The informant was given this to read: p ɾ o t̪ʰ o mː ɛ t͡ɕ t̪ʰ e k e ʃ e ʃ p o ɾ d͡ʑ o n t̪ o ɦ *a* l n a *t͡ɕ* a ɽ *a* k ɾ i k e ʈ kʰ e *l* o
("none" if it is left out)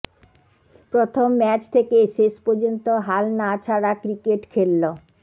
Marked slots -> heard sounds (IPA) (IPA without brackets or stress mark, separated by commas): a, t͡ɕʰ, a, lː